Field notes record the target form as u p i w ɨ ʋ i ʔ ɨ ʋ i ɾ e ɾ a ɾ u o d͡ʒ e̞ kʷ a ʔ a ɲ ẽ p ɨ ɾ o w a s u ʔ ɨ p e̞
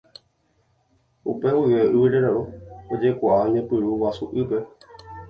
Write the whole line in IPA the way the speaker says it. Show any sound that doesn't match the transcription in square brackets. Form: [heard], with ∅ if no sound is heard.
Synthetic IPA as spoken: u p [e] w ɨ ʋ [e] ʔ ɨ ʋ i ɾ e ɾ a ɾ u o d͡ʒ e̞ kʷ a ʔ a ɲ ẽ p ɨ ɾ [u] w a s u ʔ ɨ p e̞